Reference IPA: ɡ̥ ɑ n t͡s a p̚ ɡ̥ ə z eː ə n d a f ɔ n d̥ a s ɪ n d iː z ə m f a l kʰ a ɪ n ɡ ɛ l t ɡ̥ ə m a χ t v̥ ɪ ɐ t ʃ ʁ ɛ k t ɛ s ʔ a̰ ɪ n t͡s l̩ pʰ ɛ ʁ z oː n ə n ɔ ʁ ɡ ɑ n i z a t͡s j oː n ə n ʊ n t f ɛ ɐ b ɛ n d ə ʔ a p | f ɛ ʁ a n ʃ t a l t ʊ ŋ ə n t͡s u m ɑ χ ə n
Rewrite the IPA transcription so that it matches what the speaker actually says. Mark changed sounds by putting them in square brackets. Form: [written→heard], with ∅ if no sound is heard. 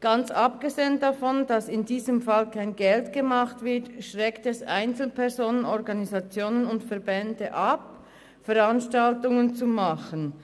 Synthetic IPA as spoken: ɡ̥ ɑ n t͡s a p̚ ɡ̥ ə z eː ə n d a f ɔ n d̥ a s ɪ n d iː z ə m f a l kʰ a ɪ n ɡ ɛ l t ɡ̥ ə m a χ t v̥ ɪ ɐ t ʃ ʁ ɛ k t ɛ s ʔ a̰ ɪ n t͡s l̩ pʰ ɛ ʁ z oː n ə n ɔ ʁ ɡ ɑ n i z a t͡s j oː n ə n ʊ n t f ɛ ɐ b ɛ n d ə ʔ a p | f ɛ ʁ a n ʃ t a l t ʊ ŋ ə n t͡s u m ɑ χ ə n

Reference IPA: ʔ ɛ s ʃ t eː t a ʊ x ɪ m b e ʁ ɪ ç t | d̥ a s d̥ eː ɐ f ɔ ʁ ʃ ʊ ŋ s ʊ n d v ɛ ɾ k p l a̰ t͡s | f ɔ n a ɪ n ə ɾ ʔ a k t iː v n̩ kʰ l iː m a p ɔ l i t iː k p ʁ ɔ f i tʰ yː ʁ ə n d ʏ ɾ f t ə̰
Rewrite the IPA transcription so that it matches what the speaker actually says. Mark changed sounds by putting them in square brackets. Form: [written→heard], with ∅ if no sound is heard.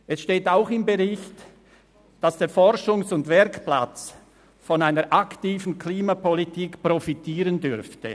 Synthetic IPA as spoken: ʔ ɛ s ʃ t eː t a ʊ x ɪ m b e ʁ ɪ ç t | d̥ a s d̥ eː ɐ f ɔ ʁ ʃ ʊ ŋ s ʊ n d v ɛ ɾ k p l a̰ t͡s | f ɔ n a ɪ n ə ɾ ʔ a k t iː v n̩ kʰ l iː m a p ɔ l i t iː k p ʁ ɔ f i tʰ [yː→iː] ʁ ə n d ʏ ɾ f t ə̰

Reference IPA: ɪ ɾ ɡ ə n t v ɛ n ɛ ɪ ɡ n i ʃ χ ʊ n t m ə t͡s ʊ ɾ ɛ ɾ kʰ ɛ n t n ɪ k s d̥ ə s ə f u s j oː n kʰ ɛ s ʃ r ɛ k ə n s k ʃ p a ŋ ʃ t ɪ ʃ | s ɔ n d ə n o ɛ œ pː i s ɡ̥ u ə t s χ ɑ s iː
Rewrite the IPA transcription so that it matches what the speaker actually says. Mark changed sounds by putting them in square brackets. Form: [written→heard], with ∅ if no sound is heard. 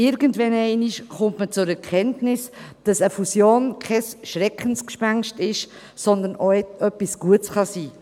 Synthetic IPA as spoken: ɪ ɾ ɡ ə n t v ɛ n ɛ ɪ [ɡ→∅] n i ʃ χ ʊ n t m ə t͡s ʊ ɾ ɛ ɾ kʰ ɛ n t n ɪ [k→∅] s d̥ [ə→ɑ] s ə f u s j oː n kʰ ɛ s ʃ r ɛ k ə n s k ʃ p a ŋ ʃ t ɪ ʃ | s ɔ n d ə n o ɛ œ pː i s ɡ̥ u ə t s χ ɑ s iː

